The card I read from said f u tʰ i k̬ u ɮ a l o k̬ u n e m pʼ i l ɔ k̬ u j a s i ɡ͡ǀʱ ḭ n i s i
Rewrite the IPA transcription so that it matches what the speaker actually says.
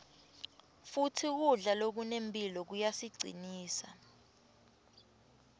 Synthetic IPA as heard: f u tʰ i k̬ u ɮ a l o k̬ u n e m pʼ i l ɔ k̬ u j a s i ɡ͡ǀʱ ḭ n iː s a